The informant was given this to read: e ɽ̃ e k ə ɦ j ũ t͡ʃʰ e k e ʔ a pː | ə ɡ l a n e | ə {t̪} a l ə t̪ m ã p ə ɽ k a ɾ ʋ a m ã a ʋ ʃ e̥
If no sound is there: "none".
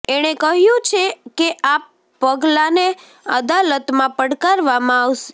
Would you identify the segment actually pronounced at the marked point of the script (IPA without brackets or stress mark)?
d̪